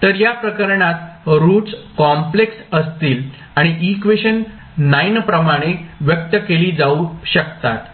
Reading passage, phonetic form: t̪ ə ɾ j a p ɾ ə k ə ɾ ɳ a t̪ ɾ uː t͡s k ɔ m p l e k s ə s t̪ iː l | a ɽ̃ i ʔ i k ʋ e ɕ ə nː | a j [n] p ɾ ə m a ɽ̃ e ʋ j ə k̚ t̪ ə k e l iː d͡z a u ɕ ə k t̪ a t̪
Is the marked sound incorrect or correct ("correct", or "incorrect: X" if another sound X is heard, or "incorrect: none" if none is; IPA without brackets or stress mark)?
correct